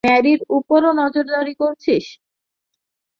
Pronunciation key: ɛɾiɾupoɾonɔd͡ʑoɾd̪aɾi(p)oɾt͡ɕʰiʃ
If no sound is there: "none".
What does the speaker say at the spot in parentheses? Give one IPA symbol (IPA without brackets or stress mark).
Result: k